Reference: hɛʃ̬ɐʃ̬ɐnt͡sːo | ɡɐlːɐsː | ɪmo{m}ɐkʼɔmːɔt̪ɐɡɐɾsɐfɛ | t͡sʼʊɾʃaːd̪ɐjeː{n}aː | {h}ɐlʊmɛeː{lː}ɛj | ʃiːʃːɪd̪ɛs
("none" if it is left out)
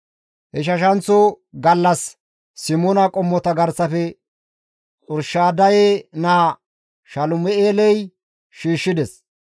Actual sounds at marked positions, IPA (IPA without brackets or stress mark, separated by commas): n, n, ʃ, l